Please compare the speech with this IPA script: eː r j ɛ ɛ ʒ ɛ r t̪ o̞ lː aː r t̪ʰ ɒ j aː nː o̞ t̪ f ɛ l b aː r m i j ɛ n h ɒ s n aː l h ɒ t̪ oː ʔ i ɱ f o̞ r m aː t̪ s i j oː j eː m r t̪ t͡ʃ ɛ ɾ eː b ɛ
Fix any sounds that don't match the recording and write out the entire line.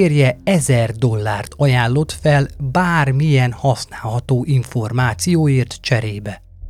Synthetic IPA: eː r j ɛ ɛ z ɛ r d̪ o̞ lː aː r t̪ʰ ɒ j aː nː o̞ t̪ f ɛ l b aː r m i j ɛ n h ɒ s n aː l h ɒ t̪ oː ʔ i ɱ f o̞ r m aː t̪ s i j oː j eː r t̪ t͡ʃ ɛ ɾ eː b ɛ